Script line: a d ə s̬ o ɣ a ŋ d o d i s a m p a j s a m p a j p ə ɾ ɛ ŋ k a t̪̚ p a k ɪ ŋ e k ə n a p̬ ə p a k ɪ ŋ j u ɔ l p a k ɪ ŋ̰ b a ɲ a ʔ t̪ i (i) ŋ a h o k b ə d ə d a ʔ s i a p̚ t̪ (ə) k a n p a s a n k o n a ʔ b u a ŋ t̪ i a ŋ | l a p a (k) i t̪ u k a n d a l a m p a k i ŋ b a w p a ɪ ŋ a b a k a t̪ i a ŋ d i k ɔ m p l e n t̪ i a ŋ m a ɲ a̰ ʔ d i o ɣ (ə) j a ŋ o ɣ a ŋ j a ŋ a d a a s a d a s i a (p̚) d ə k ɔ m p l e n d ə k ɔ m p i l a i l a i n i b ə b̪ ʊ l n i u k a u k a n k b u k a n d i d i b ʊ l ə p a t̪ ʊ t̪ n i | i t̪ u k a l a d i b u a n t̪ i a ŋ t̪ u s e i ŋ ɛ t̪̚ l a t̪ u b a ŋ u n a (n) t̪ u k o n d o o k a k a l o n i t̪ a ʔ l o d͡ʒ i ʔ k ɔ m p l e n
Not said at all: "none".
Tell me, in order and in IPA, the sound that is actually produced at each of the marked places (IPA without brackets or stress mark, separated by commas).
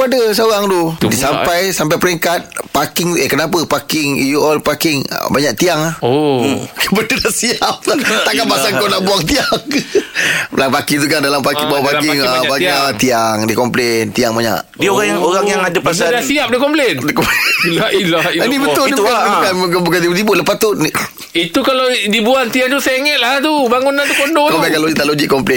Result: a, a, k, a, p̚, n